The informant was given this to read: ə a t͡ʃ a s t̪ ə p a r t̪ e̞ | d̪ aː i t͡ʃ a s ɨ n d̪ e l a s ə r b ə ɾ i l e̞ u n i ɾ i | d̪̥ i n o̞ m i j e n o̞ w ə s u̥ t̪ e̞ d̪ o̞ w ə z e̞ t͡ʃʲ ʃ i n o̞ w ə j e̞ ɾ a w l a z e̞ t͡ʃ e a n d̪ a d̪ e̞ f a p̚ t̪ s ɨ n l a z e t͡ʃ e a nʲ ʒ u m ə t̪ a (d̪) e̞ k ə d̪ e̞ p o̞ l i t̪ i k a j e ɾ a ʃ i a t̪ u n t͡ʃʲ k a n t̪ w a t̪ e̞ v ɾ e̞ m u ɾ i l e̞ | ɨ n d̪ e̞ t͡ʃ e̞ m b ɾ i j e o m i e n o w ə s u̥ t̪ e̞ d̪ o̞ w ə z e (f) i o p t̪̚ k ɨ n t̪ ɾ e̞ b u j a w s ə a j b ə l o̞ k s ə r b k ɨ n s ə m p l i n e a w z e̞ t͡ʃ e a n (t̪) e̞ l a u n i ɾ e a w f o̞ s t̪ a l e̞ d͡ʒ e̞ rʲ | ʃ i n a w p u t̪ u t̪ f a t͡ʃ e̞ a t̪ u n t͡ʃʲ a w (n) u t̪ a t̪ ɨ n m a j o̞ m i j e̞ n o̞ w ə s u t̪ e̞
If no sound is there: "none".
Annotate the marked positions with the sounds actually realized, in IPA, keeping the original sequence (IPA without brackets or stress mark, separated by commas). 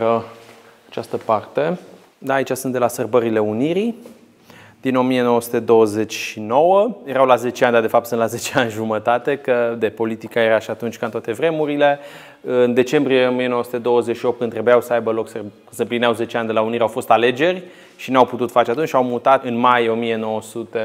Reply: t̪, ʃ, d̪, m